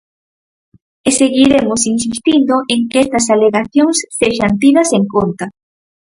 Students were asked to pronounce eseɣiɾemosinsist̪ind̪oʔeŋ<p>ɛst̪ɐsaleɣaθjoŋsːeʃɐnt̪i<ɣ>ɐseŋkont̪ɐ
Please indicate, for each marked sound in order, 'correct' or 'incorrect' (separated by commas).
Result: incorrect, incorrect